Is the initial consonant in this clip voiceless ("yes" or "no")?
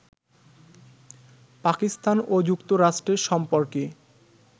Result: yes